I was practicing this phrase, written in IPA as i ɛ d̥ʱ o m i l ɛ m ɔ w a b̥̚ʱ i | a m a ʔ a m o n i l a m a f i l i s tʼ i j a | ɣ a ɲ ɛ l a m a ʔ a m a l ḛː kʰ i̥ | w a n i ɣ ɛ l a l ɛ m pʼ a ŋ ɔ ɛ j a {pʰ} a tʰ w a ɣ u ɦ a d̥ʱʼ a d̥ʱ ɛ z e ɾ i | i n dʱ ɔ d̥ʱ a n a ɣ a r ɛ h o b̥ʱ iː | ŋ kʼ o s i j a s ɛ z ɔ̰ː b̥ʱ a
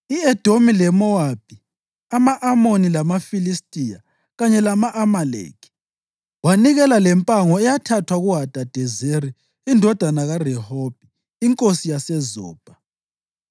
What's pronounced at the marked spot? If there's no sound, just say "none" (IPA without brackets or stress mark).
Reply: tʰ